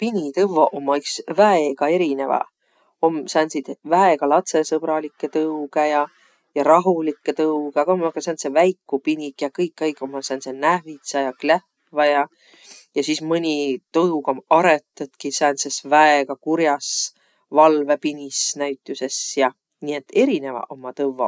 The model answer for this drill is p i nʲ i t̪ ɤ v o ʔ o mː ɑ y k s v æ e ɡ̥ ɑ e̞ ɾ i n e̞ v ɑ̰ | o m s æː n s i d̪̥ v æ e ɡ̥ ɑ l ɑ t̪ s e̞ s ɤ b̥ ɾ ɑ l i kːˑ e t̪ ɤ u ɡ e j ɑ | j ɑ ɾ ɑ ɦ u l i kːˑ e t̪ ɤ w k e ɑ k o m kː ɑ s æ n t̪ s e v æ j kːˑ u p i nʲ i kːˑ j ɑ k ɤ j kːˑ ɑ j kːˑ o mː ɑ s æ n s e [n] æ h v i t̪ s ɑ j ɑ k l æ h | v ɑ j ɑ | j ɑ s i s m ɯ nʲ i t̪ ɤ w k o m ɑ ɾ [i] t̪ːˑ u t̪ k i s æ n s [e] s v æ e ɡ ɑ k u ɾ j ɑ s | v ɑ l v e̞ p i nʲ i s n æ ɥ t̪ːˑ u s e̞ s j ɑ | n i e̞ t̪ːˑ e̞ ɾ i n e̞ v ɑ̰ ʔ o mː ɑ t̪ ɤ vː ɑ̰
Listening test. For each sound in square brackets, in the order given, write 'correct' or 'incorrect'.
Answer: correct, incorrect: e, correct

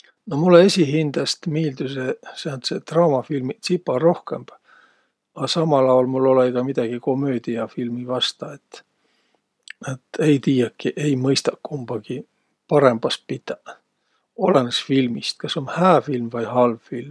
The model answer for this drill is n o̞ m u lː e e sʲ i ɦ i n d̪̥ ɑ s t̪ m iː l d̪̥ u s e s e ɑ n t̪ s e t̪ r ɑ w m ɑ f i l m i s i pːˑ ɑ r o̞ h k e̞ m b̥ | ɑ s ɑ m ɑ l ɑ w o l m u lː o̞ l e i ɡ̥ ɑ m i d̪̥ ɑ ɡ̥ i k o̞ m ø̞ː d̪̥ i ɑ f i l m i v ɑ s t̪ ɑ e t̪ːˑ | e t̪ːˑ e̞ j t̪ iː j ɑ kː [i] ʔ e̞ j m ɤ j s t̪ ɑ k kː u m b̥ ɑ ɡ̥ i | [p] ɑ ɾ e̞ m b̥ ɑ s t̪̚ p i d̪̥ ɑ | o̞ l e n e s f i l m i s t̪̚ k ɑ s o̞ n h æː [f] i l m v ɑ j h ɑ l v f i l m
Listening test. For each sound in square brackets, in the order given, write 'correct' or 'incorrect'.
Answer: correct, correct, correct

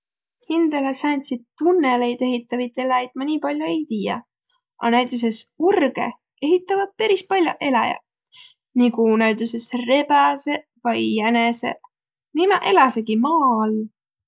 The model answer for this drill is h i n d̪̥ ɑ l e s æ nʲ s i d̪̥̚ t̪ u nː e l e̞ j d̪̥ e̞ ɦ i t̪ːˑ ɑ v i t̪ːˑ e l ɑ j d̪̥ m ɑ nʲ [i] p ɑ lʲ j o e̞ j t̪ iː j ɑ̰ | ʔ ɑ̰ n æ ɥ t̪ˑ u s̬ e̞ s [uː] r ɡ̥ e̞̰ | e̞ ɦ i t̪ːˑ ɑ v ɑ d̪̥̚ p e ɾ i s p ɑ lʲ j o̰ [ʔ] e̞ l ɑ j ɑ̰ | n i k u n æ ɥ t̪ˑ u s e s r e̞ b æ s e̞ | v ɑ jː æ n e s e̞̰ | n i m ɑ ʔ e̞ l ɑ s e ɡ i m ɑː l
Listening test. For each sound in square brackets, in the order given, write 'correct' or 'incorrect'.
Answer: incorrect: iː, incorrect: u, correct

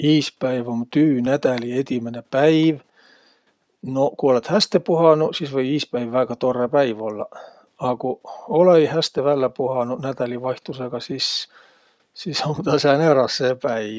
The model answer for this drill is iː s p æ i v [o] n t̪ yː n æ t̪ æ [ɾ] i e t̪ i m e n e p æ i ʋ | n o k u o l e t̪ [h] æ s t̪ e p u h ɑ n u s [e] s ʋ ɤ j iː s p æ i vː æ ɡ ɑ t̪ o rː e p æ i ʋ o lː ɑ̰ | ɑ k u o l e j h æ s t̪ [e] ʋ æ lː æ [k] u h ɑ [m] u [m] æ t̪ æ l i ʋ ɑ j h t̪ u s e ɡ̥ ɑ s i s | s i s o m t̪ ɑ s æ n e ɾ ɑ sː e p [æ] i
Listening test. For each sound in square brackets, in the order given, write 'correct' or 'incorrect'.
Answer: correct, incorrect: l, correct, incorrect: i, correct, incorrect: p, incorrect: n, incorrect: n, correct

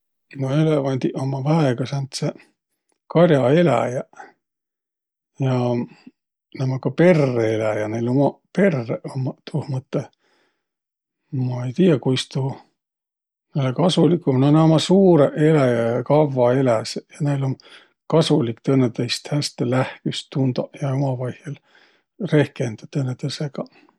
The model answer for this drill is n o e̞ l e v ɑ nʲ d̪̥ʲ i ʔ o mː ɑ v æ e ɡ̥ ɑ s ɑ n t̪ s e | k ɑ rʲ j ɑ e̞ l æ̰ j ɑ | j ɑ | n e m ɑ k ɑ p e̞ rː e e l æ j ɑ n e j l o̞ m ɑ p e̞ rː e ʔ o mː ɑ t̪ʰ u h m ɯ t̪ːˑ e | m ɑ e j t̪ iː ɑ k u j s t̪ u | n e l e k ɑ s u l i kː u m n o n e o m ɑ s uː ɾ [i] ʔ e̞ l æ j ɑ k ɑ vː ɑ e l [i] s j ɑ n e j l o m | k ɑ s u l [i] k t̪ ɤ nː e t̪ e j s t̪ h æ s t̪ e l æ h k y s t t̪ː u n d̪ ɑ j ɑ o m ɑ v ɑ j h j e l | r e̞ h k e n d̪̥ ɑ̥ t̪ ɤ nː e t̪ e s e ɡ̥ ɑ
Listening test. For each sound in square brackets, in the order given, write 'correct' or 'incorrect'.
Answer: incorrect: e, incorrect: æ, correct

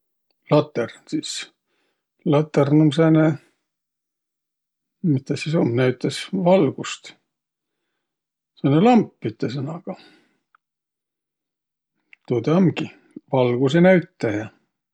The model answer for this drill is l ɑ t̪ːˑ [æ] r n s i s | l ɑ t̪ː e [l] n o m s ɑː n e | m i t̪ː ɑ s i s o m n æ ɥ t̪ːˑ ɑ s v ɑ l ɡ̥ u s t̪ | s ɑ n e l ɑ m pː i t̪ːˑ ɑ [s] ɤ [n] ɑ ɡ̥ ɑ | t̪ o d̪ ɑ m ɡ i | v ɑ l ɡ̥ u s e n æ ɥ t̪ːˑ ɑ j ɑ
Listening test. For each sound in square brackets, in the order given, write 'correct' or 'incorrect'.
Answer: incorrect: e, incorrect: r, correct, correct

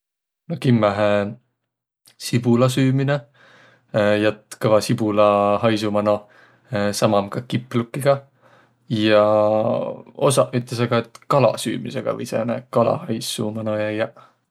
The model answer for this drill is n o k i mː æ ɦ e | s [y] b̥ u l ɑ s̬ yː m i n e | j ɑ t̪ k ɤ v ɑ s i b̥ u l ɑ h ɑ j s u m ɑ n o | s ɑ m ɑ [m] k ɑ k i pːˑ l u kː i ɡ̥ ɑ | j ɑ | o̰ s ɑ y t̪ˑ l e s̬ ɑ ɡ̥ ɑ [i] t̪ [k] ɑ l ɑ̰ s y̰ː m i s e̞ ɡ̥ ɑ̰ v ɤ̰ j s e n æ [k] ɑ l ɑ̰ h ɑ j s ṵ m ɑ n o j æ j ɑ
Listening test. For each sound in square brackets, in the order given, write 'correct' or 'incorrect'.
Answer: incorrect: i, correct, incorrect: e, correct, correct

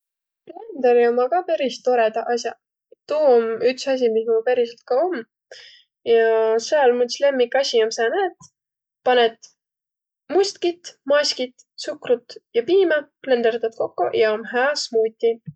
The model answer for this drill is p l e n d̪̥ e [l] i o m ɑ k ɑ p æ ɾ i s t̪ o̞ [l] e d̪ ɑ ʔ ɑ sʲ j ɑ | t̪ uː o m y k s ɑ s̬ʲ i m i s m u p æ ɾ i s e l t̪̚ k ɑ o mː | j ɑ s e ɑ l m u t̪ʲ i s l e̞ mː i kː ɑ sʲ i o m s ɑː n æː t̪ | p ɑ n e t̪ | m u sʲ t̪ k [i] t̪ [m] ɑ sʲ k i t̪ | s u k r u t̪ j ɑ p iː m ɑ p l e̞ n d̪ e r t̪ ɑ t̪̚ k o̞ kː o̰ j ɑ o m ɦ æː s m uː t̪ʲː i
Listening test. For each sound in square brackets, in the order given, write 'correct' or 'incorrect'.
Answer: incorrect: ɾ, incorrect: ɾ, correct, correct

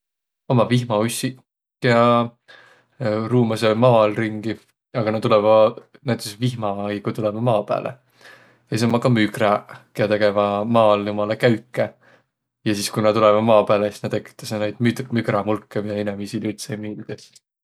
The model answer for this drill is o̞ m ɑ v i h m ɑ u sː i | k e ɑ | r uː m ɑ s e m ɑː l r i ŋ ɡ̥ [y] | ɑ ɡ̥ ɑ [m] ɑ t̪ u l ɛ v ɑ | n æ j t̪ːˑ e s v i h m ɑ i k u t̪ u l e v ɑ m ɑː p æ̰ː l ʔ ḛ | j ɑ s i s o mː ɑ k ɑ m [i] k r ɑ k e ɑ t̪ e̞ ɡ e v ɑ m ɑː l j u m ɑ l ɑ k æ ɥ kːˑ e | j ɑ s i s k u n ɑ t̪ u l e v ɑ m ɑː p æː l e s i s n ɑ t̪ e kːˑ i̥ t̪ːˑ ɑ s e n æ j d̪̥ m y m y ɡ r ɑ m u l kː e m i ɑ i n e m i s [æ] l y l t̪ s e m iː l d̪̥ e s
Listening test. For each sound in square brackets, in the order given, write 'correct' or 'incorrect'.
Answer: incorrect: i, incorrect: n, incorrect: y, incorrect: i

